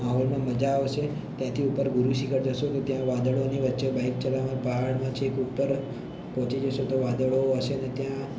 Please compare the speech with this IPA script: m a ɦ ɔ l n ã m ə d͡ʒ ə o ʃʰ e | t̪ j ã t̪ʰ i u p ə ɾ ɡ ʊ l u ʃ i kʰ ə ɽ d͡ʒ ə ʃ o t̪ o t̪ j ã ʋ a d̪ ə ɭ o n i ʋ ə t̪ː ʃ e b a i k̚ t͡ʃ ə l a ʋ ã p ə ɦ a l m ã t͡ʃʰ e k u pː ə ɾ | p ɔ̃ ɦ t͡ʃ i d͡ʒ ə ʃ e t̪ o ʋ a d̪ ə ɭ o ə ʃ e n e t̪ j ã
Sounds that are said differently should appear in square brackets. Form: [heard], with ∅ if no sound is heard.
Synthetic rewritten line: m a ɦ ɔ l [m] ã m ə d͡ʒ [a] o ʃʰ e | t̪ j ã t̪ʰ i u p ə ɾ ɡ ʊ [ɾ] u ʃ i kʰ ə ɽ d͡ʒ ə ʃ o t̪ o t̪ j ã ʋ a d̪ ə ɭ o n i ʋ ə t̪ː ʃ e b a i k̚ t͡ʃ ə l a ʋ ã p ə ɦ a [ɽ] m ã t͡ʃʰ e k u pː ə ɾ | p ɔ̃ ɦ t͡ʃ i d͡ʒ ə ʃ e t̪ o ʋ a d̪ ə ɭ o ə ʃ e n e t̪ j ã

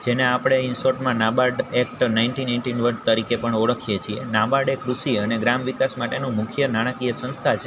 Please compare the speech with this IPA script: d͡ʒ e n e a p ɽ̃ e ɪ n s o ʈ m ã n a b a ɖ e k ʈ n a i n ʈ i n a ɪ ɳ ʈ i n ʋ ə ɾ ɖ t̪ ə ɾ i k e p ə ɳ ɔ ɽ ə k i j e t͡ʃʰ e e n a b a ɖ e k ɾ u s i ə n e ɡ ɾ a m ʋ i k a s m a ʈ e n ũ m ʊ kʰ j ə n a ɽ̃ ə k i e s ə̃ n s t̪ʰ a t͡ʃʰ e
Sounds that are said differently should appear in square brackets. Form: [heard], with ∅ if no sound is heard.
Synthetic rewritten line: d͡ʒ e n e a p ɽ̃ e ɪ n s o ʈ m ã n a b a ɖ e k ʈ n a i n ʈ i n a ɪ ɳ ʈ i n ʋ ə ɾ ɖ t̪ ə ɾ i k e p ə ɳ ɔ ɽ ə [kʰ] i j e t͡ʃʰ [i] e n a b a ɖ e k ɾ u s i ə n e ɡ ɾ a m ʋ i k a s m a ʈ e n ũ m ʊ kʰ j ə n a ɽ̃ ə k i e s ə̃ n s t̪ʰ a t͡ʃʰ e

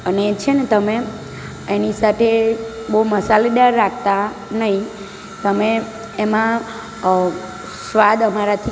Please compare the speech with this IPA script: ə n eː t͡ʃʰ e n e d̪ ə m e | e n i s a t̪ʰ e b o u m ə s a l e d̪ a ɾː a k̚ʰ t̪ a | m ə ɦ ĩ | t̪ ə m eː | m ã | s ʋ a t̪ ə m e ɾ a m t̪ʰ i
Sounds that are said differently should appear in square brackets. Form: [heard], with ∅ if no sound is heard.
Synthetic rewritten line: ə n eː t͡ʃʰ e n e [t̪] ə m e | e n i s a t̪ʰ e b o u m ə s a l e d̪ a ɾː a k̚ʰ t̪ a | [n] ə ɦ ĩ | t̪ ə m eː | m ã | s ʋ a [d̪] ə m [a] ɾ a [∅] t̪ʰ i

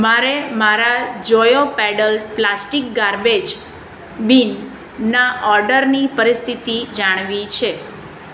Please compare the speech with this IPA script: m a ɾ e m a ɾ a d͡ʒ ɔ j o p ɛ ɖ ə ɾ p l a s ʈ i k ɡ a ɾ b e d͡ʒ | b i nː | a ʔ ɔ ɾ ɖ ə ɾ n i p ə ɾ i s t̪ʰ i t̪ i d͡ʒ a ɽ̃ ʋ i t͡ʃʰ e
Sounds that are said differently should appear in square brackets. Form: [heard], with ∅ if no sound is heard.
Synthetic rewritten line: m a ɾ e m a ɾ a d͡ʒ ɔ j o p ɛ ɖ ə [l] p l a s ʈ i k ɡ a ɾ b e d͡ʒ | b i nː | a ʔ ɔ ɾ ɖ ə ɾ n i p ə ɾ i s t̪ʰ i t̪ i d͡ʒ a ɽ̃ ʋ i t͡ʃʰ e

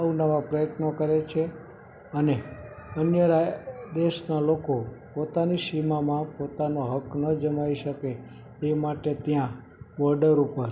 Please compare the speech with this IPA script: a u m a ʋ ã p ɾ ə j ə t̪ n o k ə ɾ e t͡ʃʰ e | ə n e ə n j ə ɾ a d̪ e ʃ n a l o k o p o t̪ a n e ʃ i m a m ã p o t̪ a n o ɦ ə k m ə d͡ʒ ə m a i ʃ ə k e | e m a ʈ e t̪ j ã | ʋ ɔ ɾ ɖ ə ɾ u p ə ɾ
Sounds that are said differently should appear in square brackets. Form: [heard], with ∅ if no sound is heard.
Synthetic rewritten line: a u [n] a ʋ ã p ɾ ə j ə t̪ n o k ə ɾ e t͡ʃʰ e | ə n e ə n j ə ɾ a d̪ e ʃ n a l o k o p o t̪ a n [i] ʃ i m a m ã p o t̪ a n o ɦ ə k [n] ə d͡ʒ ə m a i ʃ ə k e | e m a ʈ e t̪ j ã | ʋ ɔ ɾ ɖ ə ɾ u p ə ɾ

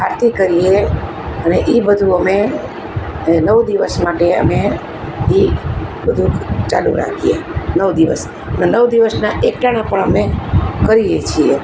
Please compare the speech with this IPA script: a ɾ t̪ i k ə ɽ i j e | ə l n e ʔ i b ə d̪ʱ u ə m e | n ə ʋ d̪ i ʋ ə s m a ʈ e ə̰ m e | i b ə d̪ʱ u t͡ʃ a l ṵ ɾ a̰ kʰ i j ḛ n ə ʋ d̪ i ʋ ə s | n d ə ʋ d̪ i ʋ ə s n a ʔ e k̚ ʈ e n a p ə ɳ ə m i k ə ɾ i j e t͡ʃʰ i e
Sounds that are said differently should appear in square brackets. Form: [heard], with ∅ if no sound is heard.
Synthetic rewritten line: a ɾ t̪ i k ə [ɾ] i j e | ə [∅] n e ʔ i b ə d̪ʱ u ə m e | n ə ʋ d̪ i ʋ ə s m a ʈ e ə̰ m e | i b ə d̪ʱ u t͡ʃ a l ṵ ɾ a̰ kʰ i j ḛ n ə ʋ d̪ i ʋ ə s | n [n] ə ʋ d̪ i ʋ ə s n a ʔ e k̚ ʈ [a] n a p ə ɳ ə m [e] k ə ɾ i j e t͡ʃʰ i e

